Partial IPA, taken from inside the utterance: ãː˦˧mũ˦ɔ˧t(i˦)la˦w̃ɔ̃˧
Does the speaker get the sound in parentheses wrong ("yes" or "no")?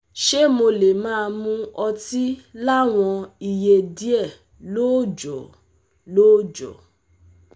no